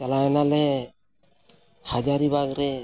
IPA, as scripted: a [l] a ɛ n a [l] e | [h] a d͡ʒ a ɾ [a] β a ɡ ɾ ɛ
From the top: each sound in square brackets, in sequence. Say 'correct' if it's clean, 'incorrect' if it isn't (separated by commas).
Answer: correct, correct, correct, incorrect